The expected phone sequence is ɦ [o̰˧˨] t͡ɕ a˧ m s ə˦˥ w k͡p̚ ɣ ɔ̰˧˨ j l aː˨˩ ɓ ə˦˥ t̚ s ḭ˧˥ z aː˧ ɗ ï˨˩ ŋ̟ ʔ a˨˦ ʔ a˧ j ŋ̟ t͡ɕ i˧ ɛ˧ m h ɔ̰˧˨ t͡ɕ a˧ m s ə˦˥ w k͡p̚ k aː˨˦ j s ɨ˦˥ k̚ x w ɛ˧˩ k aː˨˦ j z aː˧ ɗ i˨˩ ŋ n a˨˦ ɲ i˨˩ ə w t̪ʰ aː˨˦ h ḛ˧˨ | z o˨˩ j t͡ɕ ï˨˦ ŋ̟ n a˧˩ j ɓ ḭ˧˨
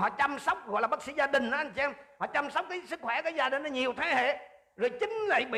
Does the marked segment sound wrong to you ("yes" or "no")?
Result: yes